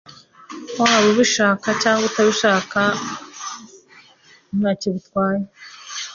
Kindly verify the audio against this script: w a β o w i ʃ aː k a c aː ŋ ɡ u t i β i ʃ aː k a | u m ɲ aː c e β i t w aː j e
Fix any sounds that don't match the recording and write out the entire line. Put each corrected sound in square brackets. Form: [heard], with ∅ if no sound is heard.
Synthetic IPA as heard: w a β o [β] i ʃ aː k a c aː ŋ ɡ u t [a] β i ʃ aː k a | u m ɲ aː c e β i t w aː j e